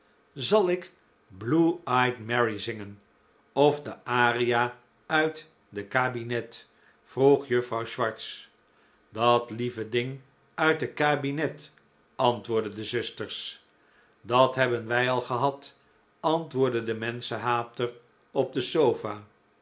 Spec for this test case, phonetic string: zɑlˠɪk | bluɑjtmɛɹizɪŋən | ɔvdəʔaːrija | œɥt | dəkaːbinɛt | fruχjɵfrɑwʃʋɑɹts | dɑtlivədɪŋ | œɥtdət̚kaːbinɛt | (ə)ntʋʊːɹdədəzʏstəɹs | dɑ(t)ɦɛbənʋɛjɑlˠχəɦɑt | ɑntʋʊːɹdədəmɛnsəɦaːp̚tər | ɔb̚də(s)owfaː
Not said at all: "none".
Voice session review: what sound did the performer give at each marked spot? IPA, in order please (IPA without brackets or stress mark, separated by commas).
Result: ɑ, t, s